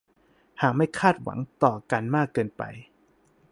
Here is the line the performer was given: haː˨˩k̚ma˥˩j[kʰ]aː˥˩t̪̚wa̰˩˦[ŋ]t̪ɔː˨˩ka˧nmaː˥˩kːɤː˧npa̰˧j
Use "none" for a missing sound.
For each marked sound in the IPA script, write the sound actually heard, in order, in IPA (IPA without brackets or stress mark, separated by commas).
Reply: kʰ, ŋ